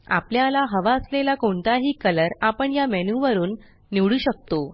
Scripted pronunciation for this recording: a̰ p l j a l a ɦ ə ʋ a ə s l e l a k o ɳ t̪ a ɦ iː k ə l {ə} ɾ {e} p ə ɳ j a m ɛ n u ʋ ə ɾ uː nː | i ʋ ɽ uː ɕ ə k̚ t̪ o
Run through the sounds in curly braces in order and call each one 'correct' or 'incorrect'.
correct, incorrect: a

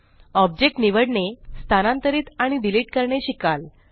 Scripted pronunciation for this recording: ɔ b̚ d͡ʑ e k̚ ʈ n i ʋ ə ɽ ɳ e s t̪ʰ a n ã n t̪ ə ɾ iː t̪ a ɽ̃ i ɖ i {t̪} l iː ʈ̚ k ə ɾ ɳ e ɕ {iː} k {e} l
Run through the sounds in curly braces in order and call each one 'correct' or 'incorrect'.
incorrect: none, incorrect: i, incorrect: a

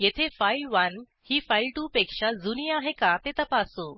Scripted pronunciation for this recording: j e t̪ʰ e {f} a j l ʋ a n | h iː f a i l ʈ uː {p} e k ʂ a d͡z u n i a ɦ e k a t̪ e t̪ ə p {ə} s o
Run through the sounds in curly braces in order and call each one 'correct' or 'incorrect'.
correct, correct, incorrect: a

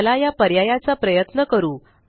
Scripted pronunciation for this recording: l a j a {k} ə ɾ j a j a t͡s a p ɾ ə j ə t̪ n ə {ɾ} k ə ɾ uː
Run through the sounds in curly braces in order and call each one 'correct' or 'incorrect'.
incorrect: p, incorrect: none

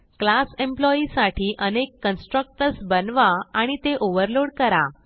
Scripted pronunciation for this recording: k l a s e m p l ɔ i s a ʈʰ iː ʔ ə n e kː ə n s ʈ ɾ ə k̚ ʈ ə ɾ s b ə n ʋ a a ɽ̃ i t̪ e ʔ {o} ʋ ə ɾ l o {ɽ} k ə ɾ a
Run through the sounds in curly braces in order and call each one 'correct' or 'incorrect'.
correct, correct

